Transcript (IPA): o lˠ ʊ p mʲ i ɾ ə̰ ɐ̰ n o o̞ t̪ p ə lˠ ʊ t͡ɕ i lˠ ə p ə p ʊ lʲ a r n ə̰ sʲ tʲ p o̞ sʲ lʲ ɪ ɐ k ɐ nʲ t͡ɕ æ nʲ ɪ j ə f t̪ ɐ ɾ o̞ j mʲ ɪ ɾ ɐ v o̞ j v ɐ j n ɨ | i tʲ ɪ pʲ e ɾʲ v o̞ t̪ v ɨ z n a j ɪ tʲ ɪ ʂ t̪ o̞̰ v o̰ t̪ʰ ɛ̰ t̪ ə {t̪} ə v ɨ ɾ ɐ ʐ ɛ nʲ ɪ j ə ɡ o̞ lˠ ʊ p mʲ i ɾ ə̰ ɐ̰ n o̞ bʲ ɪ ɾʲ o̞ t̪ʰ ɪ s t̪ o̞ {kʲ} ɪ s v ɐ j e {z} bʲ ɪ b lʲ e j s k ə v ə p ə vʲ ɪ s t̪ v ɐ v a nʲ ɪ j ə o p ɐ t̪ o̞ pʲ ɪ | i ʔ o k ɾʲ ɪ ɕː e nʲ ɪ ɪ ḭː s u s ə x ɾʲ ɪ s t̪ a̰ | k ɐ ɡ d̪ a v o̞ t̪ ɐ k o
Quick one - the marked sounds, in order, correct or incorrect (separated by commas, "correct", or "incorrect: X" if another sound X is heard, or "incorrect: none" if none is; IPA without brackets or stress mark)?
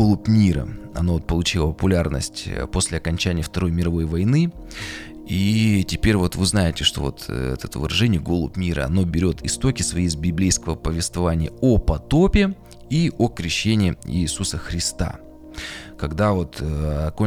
correct, correct, correct